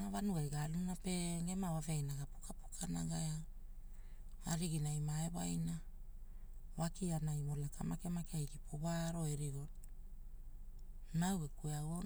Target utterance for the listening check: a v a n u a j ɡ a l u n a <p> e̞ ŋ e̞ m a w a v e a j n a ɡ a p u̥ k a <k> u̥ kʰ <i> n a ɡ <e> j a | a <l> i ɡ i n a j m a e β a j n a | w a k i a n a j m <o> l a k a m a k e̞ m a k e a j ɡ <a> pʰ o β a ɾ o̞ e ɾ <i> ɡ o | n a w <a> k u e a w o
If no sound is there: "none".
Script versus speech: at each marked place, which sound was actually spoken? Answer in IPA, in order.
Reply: p, p, a, a, ɾ, o, i, i, e

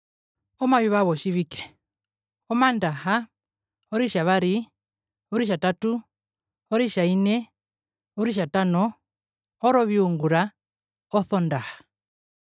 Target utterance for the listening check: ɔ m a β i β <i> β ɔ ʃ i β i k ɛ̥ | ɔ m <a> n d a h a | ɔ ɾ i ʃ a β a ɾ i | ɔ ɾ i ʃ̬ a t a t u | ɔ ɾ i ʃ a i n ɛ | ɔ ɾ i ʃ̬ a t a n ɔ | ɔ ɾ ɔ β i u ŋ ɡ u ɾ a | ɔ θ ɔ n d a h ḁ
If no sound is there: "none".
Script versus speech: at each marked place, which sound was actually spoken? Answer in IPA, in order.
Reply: a, a

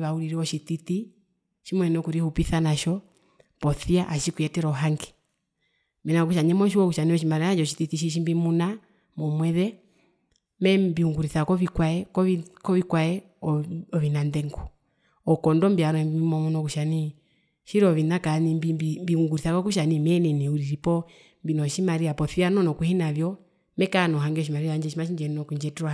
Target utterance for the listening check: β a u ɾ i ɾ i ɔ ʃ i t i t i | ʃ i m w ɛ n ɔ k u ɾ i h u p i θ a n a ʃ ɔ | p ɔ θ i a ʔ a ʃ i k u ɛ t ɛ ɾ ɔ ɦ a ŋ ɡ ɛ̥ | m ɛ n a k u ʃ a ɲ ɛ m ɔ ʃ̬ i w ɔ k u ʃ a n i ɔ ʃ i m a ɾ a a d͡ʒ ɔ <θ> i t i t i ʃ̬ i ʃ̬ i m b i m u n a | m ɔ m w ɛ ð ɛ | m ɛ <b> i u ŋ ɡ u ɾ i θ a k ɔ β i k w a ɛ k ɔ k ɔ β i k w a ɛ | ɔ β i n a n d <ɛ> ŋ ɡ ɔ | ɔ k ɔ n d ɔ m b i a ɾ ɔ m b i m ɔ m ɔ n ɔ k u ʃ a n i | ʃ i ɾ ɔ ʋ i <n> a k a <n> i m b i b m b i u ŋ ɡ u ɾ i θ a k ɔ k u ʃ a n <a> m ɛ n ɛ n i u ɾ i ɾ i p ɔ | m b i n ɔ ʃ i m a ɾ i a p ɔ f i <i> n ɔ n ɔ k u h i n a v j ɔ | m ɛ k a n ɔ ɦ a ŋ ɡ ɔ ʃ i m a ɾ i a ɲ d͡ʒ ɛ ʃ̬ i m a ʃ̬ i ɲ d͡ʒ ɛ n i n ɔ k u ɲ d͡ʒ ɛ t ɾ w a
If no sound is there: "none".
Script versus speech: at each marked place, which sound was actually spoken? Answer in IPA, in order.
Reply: ʃ, b, ɛ, n, n, i, a

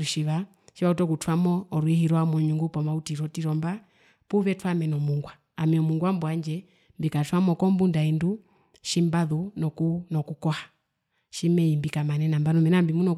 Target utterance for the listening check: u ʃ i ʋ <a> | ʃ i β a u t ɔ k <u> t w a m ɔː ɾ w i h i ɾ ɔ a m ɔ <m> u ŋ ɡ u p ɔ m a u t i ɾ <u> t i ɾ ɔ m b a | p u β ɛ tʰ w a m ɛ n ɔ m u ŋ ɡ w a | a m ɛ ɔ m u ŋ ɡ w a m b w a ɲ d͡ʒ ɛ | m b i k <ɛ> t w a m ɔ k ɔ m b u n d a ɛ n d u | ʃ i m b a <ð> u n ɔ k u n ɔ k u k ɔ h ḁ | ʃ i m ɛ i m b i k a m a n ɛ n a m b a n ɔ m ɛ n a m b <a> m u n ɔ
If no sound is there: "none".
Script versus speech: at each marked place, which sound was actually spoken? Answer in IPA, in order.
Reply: a, u, ɲ, ɔ, a, ð, i

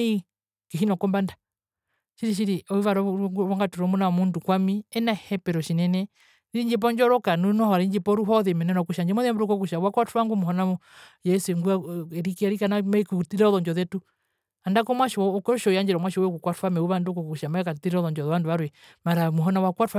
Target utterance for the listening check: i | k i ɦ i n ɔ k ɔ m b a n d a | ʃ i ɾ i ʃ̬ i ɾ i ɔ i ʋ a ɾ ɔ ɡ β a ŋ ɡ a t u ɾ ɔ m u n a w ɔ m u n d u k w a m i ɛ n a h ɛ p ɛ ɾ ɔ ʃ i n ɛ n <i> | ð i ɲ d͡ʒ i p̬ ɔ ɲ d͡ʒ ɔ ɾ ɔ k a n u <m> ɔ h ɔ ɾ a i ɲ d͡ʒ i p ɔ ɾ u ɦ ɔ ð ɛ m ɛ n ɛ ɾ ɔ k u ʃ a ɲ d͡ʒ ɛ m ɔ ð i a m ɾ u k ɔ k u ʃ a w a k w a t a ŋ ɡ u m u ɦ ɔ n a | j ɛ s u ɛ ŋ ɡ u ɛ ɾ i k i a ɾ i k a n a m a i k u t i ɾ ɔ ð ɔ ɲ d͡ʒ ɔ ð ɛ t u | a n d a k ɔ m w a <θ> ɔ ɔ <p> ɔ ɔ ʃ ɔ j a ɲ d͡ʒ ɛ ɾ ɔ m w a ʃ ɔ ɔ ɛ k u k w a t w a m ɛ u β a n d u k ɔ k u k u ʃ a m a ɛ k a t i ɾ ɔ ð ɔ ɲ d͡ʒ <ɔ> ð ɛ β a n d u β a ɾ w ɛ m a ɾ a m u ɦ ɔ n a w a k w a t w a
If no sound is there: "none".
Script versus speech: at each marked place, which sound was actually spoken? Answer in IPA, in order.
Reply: ɛ, n, ʃ, k, ɔ

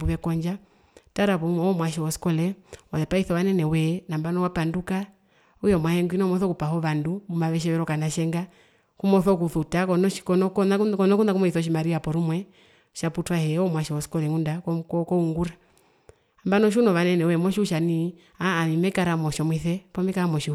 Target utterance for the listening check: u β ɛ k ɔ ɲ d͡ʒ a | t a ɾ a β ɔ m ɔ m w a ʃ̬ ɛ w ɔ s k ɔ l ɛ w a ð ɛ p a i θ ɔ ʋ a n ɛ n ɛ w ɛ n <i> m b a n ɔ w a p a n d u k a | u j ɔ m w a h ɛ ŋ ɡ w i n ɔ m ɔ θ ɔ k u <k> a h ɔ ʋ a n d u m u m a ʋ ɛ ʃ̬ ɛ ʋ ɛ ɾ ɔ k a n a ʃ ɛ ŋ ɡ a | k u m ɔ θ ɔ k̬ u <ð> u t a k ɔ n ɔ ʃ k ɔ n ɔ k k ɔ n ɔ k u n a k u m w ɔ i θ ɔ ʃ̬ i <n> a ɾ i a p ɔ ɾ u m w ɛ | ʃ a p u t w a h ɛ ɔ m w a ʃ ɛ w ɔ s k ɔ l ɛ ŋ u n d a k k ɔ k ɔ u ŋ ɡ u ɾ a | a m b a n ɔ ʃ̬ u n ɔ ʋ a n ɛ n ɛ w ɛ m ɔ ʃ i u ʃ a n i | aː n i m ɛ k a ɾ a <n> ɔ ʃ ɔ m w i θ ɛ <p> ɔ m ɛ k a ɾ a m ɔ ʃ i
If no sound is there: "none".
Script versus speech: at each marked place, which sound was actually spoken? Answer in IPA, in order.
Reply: a, p, θ, m, m, p

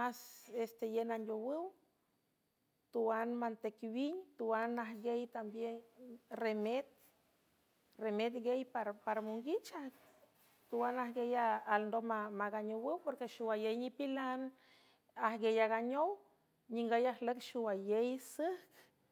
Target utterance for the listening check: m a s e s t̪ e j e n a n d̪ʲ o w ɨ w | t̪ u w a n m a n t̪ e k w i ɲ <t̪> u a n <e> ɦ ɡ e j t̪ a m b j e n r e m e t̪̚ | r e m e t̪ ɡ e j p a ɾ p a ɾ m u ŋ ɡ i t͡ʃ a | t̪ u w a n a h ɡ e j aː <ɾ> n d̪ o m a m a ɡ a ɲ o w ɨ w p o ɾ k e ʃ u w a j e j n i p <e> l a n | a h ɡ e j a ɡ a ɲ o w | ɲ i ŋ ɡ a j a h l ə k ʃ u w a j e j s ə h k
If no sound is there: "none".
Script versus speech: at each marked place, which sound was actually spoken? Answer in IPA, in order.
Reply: t̪, a, l, i

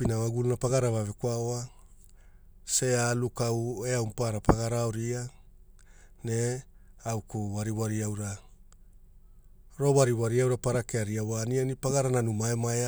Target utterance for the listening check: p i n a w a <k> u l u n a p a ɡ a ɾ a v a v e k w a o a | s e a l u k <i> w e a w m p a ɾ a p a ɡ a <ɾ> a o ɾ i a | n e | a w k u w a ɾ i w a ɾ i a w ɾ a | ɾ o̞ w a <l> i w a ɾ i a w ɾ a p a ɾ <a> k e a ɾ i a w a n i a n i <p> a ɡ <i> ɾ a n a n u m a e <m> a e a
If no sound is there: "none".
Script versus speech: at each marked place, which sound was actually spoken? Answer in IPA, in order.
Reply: ɡ, a, ɾ, ɾ, a, p, a, m

